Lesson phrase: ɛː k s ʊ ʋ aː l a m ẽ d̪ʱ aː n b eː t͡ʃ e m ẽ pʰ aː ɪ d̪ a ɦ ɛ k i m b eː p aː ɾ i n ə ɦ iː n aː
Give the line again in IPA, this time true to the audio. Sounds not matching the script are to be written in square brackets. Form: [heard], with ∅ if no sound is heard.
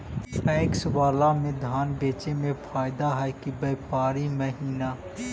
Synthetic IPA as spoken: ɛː k s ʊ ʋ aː l a m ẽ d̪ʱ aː n b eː t͡ʃ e m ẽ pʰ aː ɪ d̪ a ɦ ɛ k i [∅] b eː p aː ɾ i [m] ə ɦ iː n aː

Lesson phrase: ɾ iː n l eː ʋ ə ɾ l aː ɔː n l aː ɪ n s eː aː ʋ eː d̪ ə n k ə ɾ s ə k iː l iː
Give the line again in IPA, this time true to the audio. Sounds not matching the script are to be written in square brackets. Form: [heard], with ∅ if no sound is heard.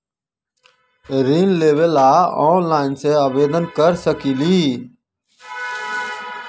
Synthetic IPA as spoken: ɾ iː n l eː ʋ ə [∅] l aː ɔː n l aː ɪ n s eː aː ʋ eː d̪ ə n k ə ɾ s ə k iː l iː

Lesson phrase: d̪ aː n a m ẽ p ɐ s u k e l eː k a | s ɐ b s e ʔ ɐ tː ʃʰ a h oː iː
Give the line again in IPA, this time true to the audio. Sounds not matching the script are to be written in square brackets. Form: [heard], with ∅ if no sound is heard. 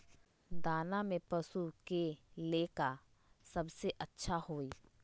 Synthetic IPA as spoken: d̪ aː n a m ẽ p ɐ s u k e l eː k a | s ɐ b s e ʔ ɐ tː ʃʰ a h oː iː

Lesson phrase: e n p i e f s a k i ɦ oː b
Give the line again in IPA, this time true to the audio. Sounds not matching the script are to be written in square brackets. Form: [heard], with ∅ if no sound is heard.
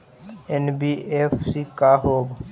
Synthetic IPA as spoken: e n [b] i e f s [i] k [a] ɦ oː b

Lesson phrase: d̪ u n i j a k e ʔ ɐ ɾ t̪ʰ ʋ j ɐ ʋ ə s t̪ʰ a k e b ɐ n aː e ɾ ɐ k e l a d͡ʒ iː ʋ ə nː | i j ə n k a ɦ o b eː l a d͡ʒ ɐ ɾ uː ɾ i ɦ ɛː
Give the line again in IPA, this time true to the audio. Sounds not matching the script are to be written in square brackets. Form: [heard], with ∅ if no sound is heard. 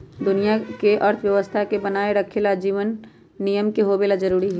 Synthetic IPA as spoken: d̪ [ʊ] n i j a k e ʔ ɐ ɾ t̪ʰ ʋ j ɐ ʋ ə s t̪ʰ a k e b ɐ n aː e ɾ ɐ [kʰ] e l a d͡ʒ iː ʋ ə nː | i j ə [m] k [e] ɦ o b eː l a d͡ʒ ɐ ɾ uː ɾ i ɦ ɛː

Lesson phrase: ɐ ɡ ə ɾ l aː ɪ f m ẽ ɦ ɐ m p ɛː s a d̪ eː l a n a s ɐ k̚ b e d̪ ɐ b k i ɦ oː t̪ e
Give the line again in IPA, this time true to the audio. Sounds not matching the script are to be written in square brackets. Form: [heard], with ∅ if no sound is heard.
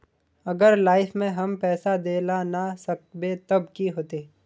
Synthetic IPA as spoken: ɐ ɡ ə ɾ l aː ɪ f m ẽ ɦ ɐ m p ɛː s a d̪ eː l a n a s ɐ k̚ b e [t̪] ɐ b k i ɦ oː t̪ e

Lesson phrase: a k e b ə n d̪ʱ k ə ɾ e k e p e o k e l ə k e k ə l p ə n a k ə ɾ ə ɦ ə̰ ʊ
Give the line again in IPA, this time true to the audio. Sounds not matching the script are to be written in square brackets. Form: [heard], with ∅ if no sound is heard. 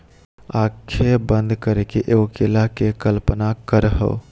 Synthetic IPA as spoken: a [kʰ] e b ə n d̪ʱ k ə ɾ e k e [ʔ] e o k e l [a] k e k ə l p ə n a k ə ɾ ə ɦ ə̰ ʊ

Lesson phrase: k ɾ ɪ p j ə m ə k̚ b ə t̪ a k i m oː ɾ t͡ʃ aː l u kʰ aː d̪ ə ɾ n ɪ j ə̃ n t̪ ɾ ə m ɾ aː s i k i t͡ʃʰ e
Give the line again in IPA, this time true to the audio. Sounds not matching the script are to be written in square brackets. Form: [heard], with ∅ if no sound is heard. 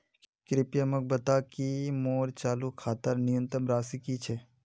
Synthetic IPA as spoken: k ɾ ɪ p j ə m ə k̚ b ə t̪ a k i m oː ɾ t͡ʃ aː l u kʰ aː [t̪] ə ɾ n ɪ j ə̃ n t̪ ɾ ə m ɾ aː s i k i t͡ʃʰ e

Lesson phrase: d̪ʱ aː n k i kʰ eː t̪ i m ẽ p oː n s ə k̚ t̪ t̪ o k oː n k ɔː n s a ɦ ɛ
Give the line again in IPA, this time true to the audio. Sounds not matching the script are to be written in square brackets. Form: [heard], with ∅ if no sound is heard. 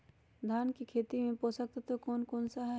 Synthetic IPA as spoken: d̪ʱ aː n k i kʰ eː t̪ i m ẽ p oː [∅] s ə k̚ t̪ t̪ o k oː n k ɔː n s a ɦ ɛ

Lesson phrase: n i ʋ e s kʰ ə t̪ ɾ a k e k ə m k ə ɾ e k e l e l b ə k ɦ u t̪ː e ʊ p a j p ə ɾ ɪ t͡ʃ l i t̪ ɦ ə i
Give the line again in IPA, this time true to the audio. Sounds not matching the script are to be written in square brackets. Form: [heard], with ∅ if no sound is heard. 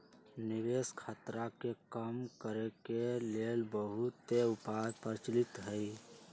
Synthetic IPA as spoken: n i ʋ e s kʰ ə t̪ ɾ a k e k ə m k ə ɾ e k e l e l b ə [∅] ɦ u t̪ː e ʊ p a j p ə ɾ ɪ t͡ʃ l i t̪ ɦ ə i

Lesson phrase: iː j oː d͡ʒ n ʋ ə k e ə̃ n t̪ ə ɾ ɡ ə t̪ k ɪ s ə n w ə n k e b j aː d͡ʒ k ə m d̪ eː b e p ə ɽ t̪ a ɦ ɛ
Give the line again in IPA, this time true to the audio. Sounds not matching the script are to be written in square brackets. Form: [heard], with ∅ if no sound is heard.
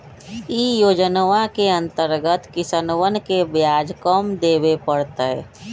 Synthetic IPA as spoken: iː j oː d͡ʒ n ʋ [a] k e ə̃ n t̪ ə ɾ ɡ ə t̪ k ɪ s ə n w ə n k e b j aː d͡ʒ k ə m d̪ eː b e p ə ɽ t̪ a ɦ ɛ

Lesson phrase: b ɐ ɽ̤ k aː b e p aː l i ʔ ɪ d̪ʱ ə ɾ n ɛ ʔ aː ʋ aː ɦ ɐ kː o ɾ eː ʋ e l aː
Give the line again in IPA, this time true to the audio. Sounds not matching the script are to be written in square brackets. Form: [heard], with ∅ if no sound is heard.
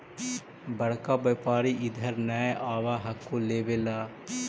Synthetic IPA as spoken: b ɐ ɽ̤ k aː b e p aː [ɾ] i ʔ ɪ d̪ʱ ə ɾ n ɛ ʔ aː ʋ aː ɦ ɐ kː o [l] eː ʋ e l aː

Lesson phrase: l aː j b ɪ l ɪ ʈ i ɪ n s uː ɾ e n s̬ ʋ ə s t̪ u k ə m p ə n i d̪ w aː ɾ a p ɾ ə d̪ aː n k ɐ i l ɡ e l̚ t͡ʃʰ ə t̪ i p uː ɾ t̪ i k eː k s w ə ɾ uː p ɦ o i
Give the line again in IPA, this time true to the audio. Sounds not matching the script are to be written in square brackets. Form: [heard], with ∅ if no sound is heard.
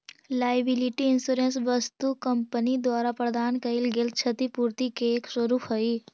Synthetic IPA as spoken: l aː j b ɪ l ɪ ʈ i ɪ n s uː ɾ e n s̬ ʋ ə s t̪ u k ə m p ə n i d̪ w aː ɾ a p ɾ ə d̪ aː n k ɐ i l ɡ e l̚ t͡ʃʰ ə t̪ i p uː ɾ t̪ i k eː k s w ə ɾ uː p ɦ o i

